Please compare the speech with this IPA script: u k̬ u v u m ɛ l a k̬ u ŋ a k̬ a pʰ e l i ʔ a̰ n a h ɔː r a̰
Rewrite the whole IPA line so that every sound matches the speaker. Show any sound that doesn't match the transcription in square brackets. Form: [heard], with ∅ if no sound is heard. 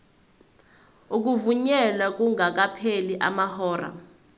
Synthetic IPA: u k̬ u v u [ɲ] ɛ l a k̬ u ŋ a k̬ a pʰ e l i ʔ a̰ [m] a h ɔː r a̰